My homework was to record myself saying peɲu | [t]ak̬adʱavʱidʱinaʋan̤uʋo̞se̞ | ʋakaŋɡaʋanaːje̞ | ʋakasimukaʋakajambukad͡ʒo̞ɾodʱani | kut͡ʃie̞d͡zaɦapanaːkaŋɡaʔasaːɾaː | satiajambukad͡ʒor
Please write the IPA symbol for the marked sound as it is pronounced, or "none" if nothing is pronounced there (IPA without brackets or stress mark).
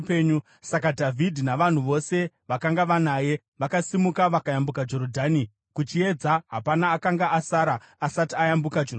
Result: s